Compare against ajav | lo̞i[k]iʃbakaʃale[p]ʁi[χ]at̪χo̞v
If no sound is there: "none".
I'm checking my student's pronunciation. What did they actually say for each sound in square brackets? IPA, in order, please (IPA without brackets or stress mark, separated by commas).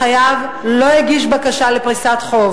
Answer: ɡ, p, s